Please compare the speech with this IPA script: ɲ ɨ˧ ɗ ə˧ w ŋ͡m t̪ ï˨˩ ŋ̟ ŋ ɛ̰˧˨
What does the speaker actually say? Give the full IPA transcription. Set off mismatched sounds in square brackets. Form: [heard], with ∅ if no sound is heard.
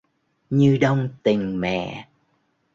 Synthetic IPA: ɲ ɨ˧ ɗ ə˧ w ŋ͡m t̪ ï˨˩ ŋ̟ [m] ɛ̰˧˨